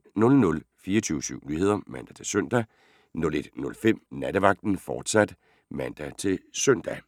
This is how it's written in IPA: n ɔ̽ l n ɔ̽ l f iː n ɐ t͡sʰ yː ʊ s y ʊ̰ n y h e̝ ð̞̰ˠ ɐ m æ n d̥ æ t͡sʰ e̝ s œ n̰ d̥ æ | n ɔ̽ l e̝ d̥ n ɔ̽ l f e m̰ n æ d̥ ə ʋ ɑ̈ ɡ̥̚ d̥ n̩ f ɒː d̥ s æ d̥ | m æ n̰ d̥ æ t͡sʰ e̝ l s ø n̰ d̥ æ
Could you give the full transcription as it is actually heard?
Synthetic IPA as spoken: n ɔ̽ l n ɔ̽ l f iː ɐ t͡sʰ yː ʊ s y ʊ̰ n y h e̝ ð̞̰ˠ ɐ m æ n d̥ æ t͡sʰ e̝ s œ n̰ d̥ æ | n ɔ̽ l e̝ d̥ n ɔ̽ l f e m̰ n æ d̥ ə ʋ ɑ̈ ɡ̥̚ d̥ n̩ f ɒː d̥ s æ d̥ | m æ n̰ d̥ æ t͡sʰ e̝ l s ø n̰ d̥ æ